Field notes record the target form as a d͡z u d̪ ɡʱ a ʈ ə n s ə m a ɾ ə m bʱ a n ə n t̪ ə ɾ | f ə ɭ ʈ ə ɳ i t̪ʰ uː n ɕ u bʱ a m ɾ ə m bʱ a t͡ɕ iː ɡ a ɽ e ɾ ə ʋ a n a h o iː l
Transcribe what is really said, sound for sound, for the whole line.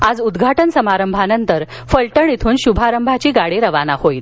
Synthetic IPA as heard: a d͡z u d̪ ɡʱ a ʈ ə n s ə m a ɾ ə m bʱ a n ə n t̪ ə ɾ | f ə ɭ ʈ ə ɳ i t̪ʰ uː n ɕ u bʱ a ɾ ə m bʱ a t͡ɕ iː ɡ a ɽ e ɾ ə ʋ a n a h o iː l

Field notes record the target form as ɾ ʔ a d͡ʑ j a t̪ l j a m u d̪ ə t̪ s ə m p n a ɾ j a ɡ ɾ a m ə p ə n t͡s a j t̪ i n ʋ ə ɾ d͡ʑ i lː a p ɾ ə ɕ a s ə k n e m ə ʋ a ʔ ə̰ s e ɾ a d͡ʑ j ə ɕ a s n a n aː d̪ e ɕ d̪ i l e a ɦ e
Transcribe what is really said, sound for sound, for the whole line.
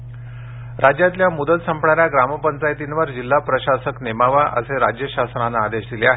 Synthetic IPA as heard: ɾ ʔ a d͡ʑ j a t̪ l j a m u d̪ ə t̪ s ə m p ɳ a ɾ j a ɡ ɾ a m ə p ə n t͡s a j t̪ i n ʋ ə ɾ d͡ʑ i lː a p ɾ ə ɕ a s ə k n e m a ʋ a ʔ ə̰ s e ɾ a d͡ʑ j ə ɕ a s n a n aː d̪ e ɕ d̪ i l e a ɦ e

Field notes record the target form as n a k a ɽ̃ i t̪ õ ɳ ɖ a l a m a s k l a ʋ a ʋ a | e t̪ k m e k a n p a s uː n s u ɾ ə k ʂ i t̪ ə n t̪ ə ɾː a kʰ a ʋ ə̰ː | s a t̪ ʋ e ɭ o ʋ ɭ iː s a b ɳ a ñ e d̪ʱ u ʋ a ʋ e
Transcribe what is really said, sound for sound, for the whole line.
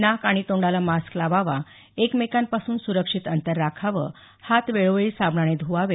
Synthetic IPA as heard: n a k a ɽ̃ i t̪ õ ɳ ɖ a l a m a s k l a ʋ a ʋ a | e k m e k a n p a s uː n s u ɾ ə k ʂ i t̪ ə n t̪ ə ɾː a kʰ a ʋ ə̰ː | h a t̪ ʋ e ɭ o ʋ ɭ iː s a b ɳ a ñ e d̪ʱ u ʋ a ʋ e

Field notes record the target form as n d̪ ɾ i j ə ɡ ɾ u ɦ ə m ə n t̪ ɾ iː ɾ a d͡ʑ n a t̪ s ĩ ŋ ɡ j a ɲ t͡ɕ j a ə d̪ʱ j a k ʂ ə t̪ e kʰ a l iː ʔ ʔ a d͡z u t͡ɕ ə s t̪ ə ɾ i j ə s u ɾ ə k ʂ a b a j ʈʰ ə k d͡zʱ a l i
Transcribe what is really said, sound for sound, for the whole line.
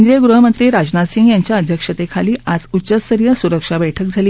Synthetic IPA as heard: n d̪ ɾ i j ə ɡ ɾ u ɦ ə m ə n t̪ ɾ iː ɾ a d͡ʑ n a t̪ s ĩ ŋ ɡ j a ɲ t͡ɕ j a ə d̪ʱ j ə k ʂ ə t̪ e kʰ a l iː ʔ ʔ a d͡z u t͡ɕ ə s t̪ ə ɾ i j ə s u ɾ ə k ʂ a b ə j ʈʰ ə k d͡zʱ a l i

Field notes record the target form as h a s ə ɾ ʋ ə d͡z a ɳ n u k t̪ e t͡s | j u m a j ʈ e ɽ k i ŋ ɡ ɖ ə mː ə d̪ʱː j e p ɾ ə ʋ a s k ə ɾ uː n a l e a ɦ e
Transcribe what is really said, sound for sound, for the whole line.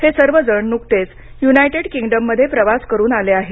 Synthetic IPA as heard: h e s ə ɾ ʋ ə d͡z ə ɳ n u k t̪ e t͡s | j u n a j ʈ e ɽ k i ŋ ɡ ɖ ə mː ə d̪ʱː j e p ɾ ə ʋ a s k ə ɾ uː n a l e a ɦ e

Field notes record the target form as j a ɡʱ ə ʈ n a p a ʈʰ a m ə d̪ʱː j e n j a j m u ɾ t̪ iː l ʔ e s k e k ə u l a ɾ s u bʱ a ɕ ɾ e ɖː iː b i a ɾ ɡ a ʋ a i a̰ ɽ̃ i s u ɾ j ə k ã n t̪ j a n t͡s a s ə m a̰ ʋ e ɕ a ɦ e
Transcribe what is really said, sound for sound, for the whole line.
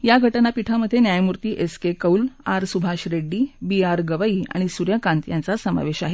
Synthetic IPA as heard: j a ɡʱ ə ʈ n a p i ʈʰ a m ə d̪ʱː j e n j a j m u ɾ t̪ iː ʔ e s k e k ə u l a ɾ s u bʱ a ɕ ɾ e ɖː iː b i a ɾ ɡ ə ʋ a i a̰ ɽ̃ i s u ɾ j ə k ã n t̪ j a n t͡s a s ə m a̰ ʋ e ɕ a ɦ e

